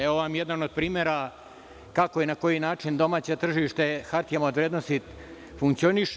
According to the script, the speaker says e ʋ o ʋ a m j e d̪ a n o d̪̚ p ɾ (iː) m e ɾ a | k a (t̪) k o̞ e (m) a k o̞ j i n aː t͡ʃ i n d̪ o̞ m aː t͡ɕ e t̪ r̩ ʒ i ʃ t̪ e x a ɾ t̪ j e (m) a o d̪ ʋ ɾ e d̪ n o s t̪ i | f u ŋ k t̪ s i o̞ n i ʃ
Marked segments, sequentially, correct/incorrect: correct, incorrect: none, incorrect: n, correct

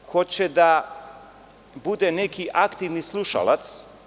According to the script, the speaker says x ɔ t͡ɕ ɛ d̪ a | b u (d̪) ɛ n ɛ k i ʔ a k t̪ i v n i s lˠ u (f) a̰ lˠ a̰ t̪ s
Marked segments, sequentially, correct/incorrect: correct, incorrect: ʃ

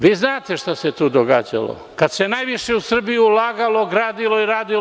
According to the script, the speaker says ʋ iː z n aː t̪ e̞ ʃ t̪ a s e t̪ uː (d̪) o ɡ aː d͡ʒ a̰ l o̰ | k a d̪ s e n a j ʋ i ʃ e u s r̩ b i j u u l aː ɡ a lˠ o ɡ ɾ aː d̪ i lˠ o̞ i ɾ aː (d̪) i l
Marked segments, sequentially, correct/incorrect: correct, correct

